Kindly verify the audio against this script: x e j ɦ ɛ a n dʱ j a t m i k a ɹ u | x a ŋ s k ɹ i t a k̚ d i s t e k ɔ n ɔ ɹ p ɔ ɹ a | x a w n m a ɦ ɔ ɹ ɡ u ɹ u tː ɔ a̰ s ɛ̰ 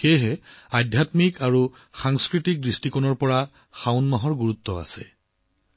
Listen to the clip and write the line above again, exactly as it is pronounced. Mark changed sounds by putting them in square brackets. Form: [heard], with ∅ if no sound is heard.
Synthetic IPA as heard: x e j ɦ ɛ a [∅] dʱ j a t m i k a ɹ u | x a ŋ s k ɹ i t [i] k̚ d i s t [i] k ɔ n ɔ ɹ p ɔ ɹ a | x a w n m a ɦ ɔ ɹ ɡ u ɹ u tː ɔ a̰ s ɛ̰